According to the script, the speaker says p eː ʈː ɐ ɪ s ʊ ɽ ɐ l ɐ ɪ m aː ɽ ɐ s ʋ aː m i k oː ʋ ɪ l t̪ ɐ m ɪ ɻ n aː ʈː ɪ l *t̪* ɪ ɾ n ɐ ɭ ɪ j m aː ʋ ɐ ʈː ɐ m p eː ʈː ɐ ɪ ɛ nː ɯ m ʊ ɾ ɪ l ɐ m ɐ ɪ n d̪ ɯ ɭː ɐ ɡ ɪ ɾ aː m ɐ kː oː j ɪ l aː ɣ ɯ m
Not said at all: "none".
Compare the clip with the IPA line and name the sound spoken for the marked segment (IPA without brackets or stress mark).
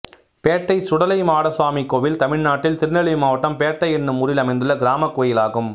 t̪